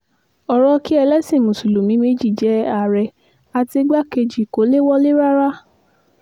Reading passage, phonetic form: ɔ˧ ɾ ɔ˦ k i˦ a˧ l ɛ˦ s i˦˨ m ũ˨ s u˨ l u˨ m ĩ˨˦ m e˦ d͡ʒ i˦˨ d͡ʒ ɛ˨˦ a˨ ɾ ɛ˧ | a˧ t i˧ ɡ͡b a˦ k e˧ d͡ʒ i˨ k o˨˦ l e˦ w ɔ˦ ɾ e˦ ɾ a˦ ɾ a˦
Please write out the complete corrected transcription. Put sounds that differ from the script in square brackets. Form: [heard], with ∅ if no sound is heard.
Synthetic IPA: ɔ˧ ɾ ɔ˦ k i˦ [ɛ˧] l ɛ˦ s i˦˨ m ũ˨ s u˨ l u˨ m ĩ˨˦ m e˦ d͡ʒ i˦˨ d͡ʒ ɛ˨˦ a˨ ɾ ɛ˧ | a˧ t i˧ ɡ͡b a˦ k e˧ d͡ʒ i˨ k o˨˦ l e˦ w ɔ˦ [l] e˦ ɾ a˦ ɾ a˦